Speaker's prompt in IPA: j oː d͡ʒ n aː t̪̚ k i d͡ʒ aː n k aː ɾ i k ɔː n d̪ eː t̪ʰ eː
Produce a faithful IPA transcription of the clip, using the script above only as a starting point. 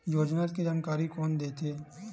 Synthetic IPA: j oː d͡ʒ n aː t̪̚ k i d͡ʒ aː n k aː ɾ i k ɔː n d̪ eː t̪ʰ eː